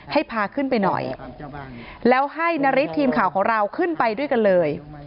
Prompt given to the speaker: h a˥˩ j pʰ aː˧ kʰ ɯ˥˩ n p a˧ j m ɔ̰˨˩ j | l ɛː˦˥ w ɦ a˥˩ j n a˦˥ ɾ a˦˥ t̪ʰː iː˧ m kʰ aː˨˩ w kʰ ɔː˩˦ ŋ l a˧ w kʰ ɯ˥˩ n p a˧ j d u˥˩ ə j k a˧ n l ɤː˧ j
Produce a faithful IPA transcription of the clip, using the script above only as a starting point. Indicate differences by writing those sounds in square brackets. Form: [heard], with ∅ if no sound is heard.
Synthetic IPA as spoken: h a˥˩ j pʰ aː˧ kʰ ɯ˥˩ n p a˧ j [n] ɔ̰˨˩ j | l ɛː˦˥ w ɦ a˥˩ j n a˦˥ ɾ [i˦˥] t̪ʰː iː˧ m kʰ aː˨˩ w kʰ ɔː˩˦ ŋ [ɾ] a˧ w kʰ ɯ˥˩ n p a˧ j d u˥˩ ə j k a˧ n l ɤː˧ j

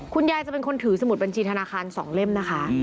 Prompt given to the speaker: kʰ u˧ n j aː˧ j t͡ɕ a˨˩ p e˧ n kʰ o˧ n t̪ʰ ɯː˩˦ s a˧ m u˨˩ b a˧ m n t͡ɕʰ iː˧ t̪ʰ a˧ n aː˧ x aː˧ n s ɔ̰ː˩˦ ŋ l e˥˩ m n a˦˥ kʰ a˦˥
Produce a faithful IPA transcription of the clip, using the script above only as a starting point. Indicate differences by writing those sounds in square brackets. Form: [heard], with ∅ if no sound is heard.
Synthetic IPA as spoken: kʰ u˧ n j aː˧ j t͡ɕ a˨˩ p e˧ n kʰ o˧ n t̪ʰ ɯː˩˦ s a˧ m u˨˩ b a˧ [∅] n t͡ɕʰ iː˧ t̪ʰ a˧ n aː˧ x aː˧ n s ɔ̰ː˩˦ ŋ l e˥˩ m n a˦˥ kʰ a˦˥

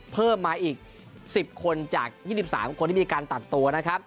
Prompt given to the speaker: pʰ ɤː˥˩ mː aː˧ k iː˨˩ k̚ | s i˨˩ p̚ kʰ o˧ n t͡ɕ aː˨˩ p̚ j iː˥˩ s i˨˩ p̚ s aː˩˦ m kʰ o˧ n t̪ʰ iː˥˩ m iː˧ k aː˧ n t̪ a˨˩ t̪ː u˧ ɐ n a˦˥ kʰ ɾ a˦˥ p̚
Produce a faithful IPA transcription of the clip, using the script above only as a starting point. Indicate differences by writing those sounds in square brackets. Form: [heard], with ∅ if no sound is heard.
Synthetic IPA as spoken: pʰ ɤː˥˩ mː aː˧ [ʔ] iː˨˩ k̚ | s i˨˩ p̚ kʰ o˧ n t͡ɕ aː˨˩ [k̚] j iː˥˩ s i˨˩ p̚ s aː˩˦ m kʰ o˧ n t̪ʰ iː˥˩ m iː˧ k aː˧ n t̪ a˨˩ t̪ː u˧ ɐ n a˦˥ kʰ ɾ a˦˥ p̚

